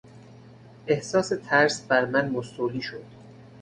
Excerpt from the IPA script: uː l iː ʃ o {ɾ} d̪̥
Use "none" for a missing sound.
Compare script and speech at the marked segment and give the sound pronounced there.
none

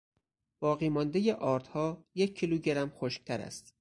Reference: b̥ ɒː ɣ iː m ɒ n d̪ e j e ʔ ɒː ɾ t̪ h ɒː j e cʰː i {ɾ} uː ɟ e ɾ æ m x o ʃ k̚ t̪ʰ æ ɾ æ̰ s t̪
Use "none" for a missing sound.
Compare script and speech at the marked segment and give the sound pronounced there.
l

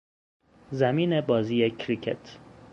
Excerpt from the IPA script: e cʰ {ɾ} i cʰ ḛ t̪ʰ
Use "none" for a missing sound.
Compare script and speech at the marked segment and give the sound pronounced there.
ɾ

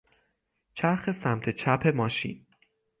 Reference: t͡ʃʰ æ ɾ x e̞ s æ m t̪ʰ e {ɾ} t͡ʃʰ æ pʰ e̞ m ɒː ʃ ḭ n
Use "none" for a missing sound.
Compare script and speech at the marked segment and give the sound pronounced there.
none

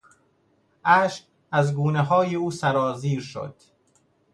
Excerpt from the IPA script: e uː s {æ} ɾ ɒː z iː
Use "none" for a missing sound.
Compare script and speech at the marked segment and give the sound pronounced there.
æ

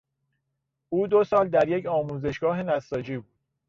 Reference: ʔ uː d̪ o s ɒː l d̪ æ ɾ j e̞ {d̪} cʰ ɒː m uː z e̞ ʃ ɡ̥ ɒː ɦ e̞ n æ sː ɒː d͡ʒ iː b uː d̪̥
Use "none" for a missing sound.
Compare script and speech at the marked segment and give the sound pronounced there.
none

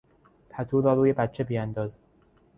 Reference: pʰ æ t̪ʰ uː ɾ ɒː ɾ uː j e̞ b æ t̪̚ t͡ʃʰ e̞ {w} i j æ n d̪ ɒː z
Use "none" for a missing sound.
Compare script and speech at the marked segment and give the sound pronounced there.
b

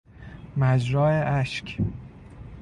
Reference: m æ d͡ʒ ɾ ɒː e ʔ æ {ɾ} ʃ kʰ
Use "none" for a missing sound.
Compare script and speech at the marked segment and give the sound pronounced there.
none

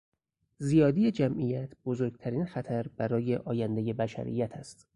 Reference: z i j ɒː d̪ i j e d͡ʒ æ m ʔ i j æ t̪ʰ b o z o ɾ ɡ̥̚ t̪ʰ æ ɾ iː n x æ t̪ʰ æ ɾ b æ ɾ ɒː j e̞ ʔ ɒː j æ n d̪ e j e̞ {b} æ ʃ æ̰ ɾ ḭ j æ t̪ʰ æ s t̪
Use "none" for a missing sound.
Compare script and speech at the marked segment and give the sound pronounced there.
b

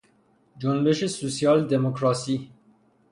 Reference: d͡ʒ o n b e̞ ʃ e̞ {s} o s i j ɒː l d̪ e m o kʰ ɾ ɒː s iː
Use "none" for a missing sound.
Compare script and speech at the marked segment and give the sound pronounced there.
s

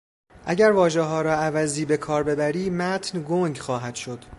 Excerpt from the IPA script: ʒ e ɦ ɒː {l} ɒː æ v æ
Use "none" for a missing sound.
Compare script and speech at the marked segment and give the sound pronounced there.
ɾ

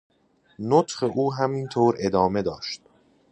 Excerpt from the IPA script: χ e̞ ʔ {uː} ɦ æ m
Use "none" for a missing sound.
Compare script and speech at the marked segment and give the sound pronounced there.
uː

